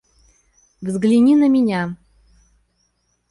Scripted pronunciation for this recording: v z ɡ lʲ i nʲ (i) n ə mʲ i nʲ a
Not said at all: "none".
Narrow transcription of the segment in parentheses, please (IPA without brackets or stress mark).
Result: i